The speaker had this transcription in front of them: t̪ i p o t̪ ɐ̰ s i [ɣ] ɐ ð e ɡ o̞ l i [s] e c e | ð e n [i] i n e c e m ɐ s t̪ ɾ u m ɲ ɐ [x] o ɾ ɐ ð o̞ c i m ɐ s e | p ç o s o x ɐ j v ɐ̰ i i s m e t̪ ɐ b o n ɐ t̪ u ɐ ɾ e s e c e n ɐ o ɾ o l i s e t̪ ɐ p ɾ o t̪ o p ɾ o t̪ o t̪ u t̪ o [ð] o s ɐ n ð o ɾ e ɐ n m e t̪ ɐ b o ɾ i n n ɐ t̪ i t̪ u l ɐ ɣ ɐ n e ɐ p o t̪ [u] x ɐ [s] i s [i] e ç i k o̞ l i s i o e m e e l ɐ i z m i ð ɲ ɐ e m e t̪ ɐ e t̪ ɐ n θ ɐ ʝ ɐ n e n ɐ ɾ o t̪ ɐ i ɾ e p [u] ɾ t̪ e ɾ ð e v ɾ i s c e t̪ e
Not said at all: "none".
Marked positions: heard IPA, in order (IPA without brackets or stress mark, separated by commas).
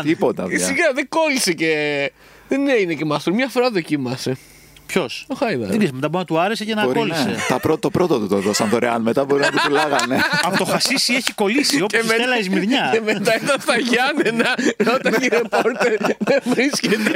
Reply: ɣ, s, e, f, ð, o, s, i, o